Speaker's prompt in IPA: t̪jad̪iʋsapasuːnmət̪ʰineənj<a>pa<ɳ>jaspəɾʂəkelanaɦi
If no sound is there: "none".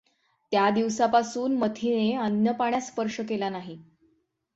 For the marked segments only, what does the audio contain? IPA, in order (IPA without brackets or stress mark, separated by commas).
ə, ɳ